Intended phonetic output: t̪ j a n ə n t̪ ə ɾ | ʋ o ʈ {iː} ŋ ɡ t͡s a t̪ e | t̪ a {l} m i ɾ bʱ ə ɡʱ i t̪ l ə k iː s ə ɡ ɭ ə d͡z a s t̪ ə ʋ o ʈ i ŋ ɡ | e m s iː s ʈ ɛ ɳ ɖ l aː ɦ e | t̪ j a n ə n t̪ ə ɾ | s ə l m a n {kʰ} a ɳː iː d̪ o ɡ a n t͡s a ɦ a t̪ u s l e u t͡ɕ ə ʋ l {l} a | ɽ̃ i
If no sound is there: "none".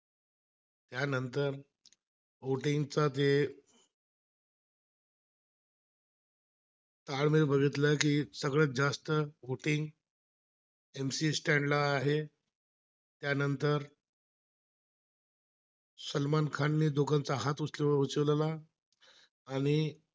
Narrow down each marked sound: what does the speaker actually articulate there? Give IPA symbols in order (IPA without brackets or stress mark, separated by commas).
i, ɭ, kʰ, l